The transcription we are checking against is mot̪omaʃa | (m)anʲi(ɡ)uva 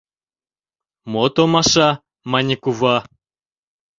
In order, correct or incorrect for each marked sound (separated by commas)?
correct, incorrect